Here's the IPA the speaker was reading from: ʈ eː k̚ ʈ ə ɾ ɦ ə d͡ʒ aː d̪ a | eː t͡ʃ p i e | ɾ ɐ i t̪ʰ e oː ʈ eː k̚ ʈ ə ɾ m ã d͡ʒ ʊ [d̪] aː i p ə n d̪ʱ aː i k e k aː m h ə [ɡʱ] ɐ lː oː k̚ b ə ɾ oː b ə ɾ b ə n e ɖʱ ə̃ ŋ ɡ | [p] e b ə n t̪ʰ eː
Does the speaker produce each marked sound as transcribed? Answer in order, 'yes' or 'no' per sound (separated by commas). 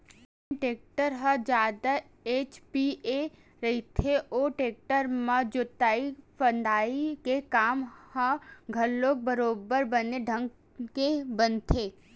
no, yes, no